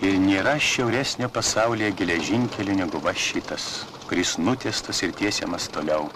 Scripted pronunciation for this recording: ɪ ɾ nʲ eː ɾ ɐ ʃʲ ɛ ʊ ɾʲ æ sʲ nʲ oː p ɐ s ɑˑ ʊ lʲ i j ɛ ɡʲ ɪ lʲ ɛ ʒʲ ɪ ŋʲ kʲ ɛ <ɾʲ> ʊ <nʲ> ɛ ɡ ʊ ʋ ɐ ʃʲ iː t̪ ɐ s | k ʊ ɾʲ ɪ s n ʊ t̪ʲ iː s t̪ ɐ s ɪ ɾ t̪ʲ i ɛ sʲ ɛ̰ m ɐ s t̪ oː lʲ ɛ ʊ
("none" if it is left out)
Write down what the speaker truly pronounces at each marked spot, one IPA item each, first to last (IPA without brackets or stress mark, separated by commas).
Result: lʲ, nʲ